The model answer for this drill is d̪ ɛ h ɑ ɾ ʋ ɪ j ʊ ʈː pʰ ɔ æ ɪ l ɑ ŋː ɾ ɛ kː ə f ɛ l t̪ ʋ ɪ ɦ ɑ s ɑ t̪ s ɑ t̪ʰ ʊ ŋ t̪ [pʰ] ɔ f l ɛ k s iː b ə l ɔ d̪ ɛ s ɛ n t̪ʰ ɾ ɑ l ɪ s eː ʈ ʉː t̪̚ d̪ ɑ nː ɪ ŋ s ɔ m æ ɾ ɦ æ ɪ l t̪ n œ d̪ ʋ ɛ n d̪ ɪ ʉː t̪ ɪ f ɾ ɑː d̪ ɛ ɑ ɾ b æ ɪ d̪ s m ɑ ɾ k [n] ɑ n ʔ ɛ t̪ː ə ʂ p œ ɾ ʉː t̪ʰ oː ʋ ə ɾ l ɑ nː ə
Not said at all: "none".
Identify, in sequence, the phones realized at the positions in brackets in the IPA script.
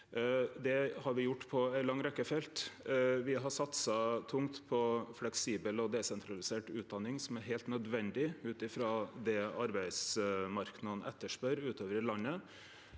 pʰ, n

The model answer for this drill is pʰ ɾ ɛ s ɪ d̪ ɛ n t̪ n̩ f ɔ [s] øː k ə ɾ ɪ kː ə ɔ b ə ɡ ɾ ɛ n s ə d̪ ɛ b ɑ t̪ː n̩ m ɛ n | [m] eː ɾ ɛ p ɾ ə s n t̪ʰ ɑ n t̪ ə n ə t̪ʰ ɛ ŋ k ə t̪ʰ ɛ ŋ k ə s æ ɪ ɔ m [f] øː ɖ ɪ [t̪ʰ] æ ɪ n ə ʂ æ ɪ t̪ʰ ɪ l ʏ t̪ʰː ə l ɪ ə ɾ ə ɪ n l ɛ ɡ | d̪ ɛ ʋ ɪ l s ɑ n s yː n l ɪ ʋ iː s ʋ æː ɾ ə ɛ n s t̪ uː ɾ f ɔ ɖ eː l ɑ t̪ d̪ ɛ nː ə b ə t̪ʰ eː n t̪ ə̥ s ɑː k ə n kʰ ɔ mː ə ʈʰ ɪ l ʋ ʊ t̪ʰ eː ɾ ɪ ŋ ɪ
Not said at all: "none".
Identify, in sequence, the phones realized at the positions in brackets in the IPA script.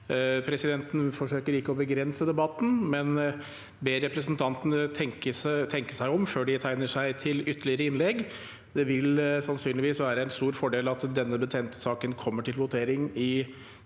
ʂ, b, f, t̪ʰ

